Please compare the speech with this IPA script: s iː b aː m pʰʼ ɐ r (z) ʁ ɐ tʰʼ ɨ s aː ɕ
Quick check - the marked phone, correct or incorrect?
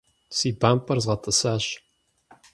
correct